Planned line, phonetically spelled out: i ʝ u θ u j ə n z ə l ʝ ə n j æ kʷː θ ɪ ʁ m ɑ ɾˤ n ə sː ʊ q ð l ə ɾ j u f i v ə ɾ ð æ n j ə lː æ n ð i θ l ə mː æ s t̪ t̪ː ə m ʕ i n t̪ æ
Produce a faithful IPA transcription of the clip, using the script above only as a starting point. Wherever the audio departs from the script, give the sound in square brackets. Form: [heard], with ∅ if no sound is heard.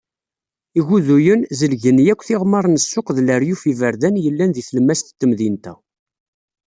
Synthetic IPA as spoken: i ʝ u [ð] u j ə n z ə l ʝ ə n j æ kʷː θ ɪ ʁ m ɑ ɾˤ n ə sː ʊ q ð l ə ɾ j u f i v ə ɾ ð æ n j ə lː æ n ð i θ l ə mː æ s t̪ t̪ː ə m [ð] i n t̪ æ

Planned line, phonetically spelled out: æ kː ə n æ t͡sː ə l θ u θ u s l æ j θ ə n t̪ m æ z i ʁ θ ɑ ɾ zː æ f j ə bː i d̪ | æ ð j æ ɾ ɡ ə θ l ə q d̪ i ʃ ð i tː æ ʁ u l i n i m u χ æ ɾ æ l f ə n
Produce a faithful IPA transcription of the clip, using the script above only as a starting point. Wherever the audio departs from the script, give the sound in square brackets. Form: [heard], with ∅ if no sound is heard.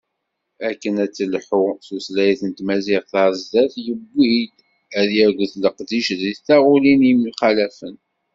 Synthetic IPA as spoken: æ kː ə n æ t͡sː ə l [ħ] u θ u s l æ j θ ə n t̪ m æ z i ʁ θ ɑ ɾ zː æ [θ] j ə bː i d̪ | æ ð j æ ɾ ɡ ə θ l ə q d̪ i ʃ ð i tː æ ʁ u l i n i m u χ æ [l] æ [∅] f ə n

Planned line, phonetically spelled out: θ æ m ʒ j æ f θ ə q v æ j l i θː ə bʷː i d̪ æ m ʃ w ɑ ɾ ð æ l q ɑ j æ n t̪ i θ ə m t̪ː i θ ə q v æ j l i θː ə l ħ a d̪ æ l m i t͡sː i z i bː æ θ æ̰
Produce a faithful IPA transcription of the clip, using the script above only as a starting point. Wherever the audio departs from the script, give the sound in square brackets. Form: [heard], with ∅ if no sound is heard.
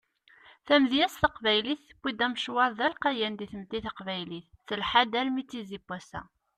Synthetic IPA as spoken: θ æ m [ð] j æ [s] θ ə q v æ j l i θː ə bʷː i d̪ æ m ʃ w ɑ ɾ ð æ l q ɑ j æ n [d̪] i θ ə m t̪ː i θ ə q v æ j l i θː ə l ħ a d̪ æ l m i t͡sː i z i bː æ [s] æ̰

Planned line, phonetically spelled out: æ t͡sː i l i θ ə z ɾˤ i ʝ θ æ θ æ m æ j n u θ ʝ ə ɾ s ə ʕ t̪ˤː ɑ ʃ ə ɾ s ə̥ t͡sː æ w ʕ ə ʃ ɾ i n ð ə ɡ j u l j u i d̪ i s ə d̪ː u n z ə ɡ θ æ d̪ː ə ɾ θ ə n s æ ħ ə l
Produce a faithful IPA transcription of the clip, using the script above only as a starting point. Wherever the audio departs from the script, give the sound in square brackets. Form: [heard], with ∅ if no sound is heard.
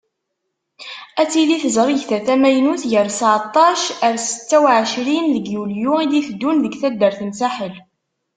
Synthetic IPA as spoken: æ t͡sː i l i θ ə z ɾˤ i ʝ θ æ θ æ m æ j n u θ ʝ ə ɾ s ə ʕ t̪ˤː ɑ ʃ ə ɾ s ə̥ t͡sː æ w ʕ ə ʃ ɾ i n ð ə ɡ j u l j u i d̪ i [θ] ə d̪ː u n [ð] ə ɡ θ æ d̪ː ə ɾ θ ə n s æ ħ ə l

